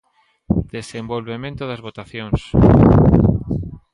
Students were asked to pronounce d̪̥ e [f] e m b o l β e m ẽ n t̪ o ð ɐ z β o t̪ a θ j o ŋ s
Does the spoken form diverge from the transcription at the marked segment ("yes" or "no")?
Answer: yes